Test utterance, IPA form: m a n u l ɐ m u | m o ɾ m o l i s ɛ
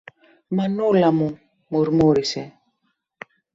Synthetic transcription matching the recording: m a n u l a m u | m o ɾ m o ɾ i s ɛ